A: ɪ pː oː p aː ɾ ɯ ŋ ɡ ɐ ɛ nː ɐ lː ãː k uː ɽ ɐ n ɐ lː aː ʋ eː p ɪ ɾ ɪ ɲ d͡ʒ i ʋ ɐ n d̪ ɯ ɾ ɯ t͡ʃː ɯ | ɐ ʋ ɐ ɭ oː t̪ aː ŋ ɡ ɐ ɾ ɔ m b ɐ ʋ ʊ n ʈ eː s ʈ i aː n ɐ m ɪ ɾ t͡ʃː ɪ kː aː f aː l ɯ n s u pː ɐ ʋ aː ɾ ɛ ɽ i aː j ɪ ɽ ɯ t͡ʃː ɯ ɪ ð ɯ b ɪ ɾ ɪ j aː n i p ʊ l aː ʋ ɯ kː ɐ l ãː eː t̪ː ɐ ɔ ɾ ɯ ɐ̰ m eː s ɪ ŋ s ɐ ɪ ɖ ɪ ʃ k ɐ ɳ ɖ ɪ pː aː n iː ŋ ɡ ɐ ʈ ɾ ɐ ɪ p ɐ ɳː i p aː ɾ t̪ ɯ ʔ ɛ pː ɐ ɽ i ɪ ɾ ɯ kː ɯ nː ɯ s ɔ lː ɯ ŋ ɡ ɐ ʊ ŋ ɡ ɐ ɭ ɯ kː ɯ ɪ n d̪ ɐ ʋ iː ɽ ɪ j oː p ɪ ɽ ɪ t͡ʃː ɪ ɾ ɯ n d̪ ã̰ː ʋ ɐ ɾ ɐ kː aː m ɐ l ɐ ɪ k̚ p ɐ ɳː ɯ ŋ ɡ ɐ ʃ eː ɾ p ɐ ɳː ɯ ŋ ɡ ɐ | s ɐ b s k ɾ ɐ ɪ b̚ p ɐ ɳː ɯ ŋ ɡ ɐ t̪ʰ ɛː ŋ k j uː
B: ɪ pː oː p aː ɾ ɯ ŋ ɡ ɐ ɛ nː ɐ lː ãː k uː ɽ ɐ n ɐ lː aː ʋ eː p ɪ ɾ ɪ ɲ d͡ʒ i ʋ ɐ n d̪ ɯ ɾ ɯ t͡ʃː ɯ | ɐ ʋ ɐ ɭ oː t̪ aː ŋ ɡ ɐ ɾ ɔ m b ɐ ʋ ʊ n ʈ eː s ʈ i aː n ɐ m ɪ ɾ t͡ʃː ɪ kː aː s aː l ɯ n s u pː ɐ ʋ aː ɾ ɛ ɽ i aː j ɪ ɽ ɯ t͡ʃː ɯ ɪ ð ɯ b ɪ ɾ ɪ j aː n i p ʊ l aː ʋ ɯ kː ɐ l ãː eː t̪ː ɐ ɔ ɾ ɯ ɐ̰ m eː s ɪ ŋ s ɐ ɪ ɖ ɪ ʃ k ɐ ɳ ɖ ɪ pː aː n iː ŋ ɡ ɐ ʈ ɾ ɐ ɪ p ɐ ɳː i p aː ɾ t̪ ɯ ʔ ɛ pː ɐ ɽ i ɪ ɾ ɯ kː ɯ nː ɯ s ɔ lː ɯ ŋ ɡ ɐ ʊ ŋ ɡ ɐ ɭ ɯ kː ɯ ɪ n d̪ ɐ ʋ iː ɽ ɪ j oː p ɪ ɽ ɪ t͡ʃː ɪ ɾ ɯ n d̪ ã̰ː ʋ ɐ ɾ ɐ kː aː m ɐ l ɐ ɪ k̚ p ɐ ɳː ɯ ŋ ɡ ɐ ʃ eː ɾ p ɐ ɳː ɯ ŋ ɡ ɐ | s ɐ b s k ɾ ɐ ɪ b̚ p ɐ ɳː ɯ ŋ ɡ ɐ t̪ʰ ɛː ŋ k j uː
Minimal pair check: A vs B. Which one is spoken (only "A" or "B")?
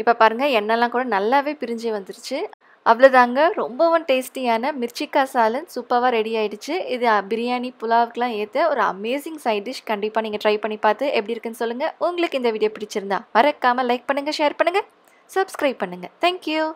B